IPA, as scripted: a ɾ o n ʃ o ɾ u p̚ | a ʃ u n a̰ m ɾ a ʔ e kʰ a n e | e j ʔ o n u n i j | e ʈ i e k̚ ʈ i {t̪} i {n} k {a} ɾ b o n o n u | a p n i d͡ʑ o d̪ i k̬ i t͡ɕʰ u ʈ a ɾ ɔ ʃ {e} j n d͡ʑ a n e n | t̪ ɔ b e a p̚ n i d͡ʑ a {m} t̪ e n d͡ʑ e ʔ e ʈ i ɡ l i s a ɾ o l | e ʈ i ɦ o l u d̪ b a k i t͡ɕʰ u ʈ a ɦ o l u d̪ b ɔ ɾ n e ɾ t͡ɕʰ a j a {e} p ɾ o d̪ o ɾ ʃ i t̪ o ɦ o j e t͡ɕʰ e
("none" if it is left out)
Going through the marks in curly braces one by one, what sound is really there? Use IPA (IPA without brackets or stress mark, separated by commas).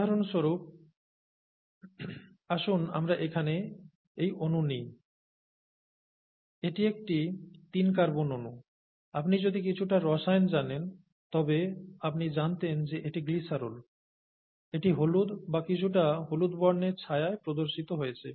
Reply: t̪, n, a, a, n, e